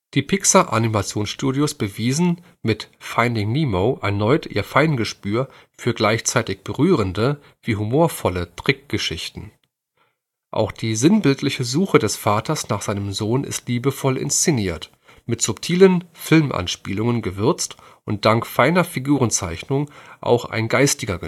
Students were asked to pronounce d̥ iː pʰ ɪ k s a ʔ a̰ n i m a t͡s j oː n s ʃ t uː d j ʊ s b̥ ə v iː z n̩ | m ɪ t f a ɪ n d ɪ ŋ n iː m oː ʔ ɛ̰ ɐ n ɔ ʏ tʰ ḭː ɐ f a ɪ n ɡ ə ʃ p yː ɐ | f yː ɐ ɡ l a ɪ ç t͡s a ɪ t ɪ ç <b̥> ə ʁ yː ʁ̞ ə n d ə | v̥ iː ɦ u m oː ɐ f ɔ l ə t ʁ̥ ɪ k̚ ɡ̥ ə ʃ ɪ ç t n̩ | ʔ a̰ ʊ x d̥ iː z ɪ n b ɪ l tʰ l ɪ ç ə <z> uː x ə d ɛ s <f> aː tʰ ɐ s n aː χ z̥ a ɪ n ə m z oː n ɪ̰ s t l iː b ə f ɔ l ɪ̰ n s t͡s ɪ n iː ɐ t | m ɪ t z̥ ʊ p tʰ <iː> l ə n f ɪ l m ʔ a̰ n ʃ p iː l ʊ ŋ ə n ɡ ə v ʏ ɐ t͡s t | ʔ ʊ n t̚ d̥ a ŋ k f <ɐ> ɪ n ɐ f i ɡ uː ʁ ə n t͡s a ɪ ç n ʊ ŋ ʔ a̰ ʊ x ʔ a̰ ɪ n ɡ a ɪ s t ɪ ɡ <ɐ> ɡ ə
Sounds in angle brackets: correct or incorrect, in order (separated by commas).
correct, correct, correct, correct, incorrect, correct